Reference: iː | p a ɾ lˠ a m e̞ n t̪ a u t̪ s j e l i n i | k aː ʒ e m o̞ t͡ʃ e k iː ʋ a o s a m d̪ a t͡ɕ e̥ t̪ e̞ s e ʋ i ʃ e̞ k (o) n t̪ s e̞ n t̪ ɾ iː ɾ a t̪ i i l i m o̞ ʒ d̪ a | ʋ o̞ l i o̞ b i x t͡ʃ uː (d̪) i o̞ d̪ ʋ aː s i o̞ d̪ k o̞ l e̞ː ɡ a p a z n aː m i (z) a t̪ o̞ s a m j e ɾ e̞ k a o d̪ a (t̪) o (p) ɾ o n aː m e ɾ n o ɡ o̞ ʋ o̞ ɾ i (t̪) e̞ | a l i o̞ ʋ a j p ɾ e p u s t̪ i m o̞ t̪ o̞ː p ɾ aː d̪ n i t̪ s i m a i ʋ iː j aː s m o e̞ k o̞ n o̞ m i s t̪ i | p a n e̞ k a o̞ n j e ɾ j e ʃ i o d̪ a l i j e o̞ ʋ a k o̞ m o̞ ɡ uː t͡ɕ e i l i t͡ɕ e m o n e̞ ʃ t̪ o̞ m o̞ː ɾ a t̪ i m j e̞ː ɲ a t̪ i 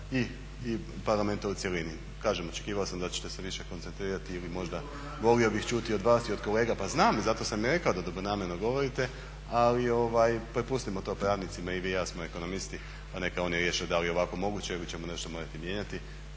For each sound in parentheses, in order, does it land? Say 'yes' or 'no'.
yes, no, yes, no, no, yes

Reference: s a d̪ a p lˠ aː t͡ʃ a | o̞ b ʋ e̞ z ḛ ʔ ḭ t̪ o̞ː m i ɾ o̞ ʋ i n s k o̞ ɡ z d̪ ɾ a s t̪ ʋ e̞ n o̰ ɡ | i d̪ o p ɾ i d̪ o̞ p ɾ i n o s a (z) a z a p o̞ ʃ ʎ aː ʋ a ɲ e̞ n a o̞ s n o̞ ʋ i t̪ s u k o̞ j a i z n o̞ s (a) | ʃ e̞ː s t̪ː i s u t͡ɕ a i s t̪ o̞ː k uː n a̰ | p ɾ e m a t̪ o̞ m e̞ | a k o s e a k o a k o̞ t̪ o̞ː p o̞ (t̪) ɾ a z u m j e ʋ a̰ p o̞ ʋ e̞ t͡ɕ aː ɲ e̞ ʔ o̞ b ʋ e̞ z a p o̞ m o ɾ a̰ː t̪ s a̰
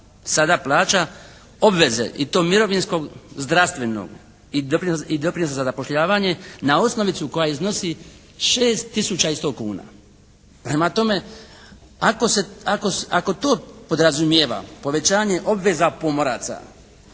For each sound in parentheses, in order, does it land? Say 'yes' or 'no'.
yes, no, no

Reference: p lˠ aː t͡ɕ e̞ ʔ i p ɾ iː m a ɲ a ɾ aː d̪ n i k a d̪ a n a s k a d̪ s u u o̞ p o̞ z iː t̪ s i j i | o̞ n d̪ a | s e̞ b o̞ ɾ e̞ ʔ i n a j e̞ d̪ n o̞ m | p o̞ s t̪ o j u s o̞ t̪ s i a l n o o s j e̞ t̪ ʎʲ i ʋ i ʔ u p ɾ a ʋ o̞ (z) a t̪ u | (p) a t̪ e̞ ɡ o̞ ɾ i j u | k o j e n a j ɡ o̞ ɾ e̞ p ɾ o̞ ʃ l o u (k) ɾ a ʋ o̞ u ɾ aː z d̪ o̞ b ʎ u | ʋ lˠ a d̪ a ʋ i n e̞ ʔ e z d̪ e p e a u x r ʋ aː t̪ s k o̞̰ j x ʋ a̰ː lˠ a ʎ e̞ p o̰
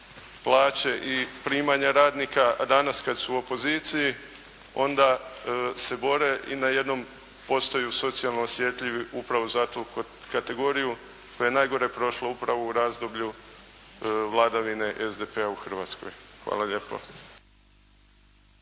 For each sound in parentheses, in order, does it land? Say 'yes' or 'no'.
yes, no, no

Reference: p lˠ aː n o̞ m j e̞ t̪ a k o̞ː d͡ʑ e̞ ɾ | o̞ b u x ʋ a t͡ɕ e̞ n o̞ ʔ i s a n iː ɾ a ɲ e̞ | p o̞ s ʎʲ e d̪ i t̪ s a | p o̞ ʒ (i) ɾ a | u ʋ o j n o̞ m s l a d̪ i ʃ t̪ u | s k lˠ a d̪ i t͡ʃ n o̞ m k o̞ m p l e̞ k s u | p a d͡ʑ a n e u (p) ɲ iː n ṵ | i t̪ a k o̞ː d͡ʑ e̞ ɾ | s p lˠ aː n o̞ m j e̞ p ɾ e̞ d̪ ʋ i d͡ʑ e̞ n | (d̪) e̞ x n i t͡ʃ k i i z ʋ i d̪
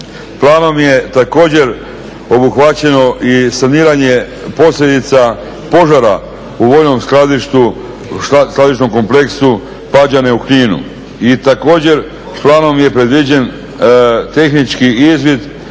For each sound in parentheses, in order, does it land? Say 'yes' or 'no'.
no, no, no

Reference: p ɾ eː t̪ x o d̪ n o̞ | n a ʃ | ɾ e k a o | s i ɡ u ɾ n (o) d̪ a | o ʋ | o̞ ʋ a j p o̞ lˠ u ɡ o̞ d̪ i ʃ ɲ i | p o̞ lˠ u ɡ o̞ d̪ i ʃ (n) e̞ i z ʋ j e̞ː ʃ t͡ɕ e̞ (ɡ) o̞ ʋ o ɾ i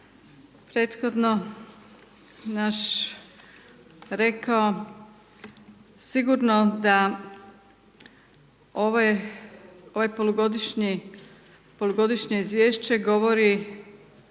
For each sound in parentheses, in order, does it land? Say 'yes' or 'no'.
yes, no, yes

